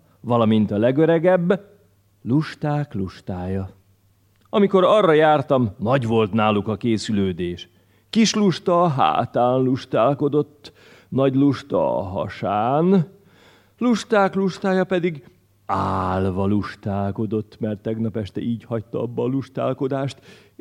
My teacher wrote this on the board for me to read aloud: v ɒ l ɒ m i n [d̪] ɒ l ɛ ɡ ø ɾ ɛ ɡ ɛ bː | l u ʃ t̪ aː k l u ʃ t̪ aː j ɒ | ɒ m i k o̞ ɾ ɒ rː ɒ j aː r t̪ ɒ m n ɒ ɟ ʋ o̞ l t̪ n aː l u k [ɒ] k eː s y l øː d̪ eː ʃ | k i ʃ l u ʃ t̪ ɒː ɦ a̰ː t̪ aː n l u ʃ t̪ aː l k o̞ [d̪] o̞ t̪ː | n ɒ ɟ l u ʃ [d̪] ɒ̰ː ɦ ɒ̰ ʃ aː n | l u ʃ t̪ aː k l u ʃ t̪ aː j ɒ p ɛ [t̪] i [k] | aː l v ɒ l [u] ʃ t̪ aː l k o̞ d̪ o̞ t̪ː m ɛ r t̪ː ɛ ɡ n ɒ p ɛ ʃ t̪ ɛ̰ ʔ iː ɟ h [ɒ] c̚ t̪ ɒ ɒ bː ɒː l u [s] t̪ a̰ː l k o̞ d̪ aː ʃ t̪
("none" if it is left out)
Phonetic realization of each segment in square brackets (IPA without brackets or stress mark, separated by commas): t̪, ɒ, d̪, t̪, d̪, ɡ, u, ɒ, ʃ